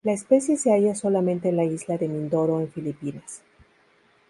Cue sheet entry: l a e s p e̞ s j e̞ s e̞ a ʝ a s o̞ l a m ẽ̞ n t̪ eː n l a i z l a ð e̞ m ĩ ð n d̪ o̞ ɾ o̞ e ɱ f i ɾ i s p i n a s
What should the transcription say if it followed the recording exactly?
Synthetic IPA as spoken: l a e s p e̞ s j e̞ s e̞ a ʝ a s o̞ l a m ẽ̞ n t̪ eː n l a i z l a ð e̞ m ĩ n d̪ o̞ ɾ o̞ e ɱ f i l i p i n a s